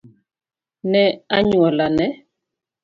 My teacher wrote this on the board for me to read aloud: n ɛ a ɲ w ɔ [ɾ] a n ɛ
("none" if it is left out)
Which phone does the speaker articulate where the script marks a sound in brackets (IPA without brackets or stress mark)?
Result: l